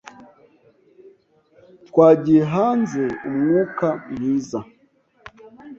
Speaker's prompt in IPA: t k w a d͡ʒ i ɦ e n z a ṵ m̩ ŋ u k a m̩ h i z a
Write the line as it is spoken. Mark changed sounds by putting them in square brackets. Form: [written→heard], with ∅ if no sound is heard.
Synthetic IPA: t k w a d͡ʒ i ɦ [e→a] n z [a→ɛ] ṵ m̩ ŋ u k a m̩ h i z a